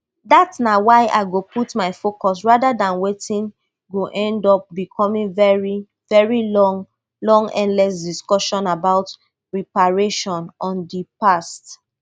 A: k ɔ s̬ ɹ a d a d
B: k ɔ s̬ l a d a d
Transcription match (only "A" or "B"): A